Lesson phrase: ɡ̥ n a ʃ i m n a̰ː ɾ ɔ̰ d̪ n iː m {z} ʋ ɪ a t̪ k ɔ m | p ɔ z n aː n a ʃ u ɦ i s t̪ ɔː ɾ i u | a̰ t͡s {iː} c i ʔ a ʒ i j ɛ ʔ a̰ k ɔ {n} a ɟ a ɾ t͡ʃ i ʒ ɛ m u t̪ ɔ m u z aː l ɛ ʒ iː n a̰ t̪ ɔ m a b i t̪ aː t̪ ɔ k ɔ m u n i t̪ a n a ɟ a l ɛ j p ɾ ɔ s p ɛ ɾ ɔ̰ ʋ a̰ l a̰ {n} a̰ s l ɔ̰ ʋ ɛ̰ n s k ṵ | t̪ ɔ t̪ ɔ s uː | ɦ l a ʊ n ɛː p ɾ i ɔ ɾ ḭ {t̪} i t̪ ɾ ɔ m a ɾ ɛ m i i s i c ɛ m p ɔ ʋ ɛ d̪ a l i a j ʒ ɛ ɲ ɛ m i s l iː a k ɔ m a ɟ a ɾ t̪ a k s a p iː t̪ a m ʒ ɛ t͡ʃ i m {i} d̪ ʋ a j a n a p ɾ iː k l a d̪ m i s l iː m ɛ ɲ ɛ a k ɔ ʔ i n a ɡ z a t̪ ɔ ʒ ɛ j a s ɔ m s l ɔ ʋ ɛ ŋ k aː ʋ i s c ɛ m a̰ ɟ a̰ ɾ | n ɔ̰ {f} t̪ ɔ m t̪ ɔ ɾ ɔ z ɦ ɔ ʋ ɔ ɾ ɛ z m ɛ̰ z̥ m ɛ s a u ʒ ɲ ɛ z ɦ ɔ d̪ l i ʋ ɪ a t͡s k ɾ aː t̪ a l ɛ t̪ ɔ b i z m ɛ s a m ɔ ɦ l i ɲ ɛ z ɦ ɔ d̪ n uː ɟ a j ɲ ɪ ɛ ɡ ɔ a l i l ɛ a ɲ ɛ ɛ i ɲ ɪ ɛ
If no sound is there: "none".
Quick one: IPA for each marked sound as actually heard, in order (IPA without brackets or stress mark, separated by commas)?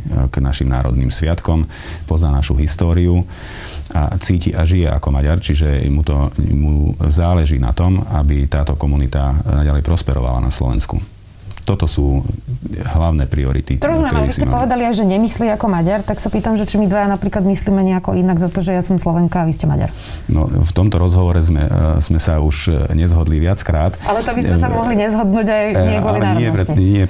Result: s, iː, m, n, t̪, i, f